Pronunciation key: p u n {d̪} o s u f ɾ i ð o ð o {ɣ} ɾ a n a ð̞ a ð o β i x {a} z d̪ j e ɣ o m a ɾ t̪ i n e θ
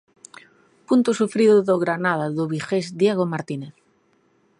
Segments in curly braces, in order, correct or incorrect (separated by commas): incorrect, correct, incorrect